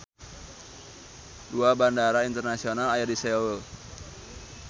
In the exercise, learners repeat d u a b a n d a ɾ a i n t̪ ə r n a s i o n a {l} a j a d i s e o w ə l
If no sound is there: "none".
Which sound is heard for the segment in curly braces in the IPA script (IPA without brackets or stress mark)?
l